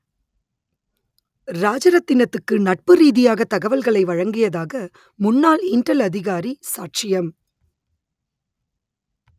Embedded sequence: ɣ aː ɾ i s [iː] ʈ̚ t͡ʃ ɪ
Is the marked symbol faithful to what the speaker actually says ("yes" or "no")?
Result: no